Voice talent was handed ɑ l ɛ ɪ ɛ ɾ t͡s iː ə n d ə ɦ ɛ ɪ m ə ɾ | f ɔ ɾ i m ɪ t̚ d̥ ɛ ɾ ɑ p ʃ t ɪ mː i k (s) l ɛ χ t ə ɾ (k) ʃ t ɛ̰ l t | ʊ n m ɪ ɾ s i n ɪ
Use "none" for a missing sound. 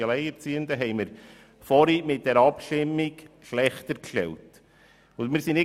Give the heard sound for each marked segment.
ʃ, k

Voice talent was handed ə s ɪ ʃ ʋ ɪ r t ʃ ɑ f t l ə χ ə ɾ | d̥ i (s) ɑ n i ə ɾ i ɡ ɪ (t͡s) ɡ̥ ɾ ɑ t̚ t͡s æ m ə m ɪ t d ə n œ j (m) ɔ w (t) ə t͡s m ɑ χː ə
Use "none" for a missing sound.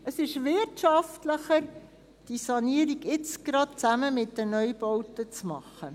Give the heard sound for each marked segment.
s, t͡s, b, t

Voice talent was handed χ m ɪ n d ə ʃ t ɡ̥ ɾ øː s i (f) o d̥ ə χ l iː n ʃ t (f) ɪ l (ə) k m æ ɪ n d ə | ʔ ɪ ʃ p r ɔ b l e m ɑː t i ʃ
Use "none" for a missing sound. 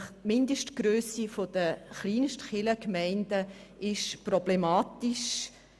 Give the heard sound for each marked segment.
f, χ, ə

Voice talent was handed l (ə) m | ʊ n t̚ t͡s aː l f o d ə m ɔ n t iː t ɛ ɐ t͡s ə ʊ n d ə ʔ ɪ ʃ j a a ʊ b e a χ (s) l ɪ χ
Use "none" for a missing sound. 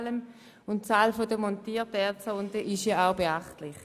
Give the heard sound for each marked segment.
ə, t

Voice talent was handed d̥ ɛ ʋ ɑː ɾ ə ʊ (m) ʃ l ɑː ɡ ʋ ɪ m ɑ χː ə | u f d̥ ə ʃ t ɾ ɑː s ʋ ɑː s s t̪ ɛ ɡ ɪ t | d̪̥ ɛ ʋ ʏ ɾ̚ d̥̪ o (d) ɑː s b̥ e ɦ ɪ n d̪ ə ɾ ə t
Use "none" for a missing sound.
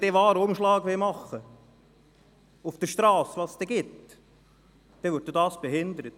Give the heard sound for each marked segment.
m, d

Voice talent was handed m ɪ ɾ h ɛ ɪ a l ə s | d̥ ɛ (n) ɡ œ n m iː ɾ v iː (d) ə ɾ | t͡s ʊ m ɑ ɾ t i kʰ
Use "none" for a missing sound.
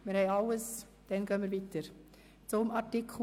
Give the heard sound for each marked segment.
n, t

